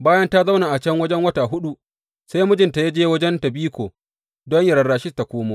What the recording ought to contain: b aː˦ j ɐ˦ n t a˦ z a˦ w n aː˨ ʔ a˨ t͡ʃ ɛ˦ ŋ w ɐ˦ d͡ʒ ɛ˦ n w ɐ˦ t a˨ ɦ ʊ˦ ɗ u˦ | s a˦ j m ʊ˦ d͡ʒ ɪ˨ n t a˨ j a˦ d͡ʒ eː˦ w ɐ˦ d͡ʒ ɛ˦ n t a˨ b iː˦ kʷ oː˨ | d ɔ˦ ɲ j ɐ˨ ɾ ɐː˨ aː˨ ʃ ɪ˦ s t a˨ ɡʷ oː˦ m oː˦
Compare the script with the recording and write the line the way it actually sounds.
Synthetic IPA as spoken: b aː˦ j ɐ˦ n t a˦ z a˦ w n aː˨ ʔ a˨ t͡ʃ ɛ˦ ŋ w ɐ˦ d͡ʒ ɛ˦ ŋ w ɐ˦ t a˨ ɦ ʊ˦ ɗ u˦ | s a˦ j m ʊ˦ d͡ʒ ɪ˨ n t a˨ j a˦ d͡ʒ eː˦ w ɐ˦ d͡ʒ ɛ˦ n t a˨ b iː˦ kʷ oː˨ | d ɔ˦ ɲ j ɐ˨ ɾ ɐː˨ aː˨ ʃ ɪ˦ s t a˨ kʷ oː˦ m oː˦